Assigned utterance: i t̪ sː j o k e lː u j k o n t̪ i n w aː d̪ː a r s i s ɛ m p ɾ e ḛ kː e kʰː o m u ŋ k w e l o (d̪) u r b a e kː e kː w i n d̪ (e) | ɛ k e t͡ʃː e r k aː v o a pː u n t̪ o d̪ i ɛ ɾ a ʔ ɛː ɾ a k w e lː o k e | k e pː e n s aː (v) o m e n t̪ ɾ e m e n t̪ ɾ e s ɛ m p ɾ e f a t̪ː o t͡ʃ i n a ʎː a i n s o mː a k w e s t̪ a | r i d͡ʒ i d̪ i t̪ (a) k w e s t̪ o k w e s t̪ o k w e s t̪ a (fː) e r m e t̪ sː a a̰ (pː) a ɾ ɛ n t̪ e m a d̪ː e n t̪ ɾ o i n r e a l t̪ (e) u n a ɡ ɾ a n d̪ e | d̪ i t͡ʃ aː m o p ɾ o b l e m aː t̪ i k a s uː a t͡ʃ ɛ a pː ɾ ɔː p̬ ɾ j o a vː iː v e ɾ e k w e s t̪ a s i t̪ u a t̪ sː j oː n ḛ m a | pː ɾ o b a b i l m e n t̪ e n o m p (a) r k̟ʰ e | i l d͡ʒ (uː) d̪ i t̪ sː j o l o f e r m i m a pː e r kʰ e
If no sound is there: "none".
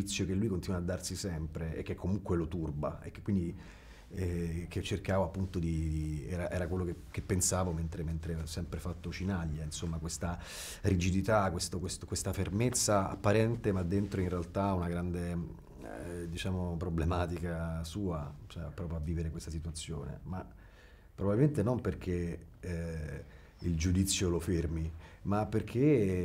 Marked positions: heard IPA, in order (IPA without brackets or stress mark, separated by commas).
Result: t̪, i, v, a, f, pː, a, e, u